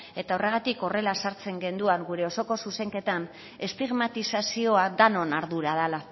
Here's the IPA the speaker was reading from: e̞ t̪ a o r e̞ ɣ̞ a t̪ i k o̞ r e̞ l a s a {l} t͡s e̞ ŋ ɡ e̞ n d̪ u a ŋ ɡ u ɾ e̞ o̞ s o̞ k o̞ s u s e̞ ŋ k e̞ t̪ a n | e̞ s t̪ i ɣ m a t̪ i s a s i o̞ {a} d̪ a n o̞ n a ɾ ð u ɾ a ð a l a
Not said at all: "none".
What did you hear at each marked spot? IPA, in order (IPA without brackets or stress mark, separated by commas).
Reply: ɾ, a